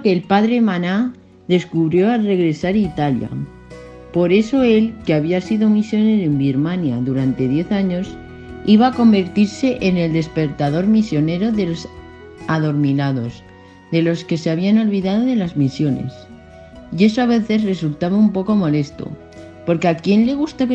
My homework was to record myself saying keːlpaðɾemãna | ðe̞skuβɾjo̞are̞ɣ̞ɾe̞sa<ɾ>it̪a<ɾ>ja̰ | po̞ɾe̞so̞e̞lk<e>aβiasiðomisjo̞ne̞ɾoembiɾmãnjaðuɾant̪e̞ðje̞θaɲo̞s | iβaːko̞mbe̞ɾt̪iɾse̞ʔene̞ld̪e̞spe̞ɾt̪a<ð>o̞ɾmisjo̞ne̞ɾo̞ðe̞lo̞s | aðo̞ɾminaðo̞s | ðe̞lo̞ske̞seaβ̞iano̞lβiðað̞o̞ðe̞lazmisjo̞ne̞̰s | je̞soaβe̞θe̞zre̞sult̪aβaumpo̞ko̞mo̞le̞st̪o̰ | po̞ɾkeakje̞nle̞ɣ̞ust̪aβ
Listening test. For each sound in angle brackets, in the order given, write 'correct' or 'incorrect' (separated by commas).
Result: correct, incorrect, correct, correct